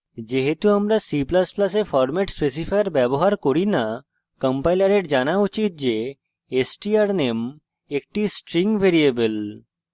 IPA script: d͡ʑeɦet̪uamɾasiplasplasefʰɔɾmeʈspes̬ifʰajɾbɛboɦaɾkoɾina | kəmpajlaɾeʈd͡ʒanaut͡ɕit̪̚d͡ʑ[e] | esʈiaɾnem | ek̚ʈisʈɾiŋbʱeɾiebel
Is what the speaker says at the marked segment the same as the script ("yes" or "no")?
yes